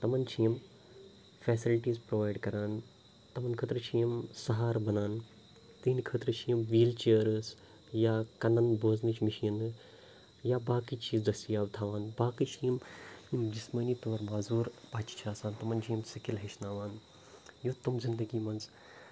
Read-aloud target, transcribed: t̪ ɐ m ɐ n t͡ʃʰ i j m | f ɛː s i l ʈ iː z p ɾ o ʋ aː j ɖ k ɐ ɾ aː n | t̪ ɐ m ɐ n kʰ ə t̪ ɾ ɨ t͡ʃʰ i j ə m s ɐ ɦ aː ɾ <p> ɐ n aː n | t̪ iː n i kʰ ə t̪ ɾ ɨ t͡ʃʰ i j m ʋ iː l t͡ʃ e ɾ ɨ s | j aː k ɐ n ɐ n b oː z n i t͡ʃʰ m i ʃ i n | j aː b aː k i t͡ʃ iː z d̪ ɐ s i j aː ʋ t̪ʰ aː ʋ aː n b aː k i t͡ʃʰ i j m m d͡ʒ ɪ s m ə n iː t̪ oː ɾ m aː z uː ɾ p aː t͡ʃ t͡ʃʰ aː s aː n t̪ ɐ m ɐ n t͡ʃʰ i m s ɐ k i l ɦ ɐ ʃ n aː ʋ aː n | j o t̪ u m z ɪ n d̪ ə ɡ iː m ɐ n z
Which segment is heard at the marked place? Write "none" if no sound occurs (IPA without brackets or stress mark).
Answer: b